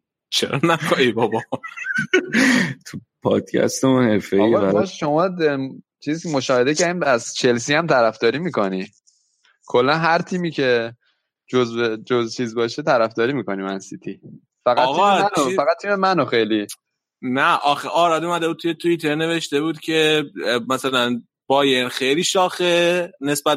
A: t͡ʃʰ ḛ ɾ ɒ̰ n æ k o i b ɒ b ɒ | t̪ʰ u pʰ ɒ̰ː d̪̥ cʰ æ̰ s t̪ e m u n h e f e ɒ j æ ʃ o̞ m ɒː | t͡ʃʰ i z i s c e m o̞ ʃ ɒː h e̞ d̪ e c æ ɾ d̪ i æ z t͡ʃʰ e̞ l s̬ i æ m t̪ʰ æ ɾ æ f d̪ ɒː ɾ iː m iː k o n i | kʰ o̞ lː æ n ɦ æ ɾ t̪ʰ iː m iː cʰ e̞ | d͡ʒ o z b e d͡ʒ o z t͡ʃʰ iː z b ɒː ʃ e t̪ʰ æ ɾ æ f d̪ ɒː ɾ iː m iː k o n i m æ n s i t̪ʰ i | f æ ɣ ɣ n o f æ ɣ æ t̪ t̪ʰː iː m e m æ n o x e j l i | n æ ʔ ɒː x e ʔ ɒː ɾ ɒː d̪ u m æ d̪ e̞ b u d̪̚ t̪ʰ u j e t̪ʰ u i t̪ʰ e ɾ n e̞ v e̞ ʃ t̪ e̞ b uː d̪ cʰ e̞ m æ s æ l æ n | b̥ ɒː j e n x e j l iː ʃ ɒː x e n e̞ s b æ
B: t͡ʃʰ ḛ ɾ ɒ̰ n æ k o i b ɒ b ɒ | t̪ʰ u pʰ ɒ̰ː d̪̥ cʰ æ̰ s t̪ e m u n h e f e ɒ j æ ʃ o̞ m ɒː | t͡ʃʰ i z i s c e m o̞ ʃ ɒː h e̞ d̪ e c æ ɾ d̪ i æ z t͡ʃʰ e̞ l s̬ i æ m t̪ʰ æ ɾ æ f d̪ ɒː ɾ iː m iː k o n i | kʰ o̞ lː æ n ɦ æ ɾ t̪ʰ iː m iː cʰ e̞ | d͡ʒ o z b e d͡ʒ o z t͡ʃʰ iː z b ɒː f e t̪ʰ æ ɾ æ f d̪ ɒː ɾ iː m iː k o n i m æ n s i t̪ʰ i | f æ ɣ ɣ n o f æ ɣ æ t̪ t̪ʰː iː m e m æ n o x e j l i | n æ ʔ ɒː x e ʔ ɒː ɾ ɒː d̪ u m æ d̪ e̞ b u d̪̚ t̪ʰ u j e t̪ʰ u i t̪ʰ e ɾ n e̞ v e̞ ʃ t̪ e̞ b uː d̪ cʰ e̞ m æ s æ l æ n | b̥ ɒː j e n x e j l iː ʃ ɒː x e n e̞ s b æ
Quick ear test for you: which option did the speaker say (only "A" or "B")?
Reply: A